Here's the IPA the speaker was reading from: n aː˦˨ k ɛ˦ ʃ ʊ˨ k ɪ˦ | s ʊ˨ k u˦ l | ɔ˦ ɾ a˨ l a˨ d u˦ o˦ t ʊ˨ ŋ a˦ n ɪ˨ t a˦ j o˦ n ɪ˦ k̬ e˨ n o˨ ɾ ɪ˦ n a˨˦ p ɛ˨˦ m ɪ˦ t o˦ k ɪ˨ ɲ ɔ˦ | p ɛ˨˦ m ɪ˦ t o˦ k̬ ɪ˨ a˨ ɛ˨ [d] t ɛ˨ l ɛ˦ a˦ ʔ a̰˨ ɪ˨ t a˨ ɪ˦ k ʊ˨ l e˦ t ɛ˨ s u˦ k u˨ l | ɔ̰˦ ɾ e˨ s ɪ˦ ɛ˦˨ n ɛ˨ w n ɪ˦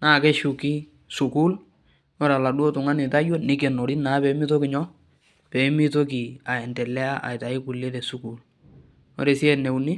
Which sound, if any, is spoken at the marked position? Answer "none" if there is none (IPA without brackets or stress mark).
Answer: n